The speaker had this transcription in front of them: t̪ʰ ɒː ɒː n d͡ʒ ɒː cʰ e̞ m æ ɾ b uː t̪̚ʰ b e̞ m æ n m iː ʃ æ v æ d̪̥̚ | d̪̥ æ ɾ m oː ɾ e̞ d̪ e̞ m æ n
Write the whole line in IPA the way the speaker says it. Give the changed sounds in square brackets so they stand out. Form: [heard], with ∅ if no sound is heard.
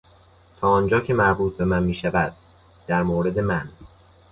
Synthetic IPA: t̪ʰ ɒː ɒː n d͡ʒ ɒː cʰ e̞ m æ ɾ b uː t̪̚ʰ b e̞ m æ n m iː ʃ æ v æ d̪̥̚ | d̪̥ æ ɾ m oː ɾ e̞ d̪ e̞ m æ n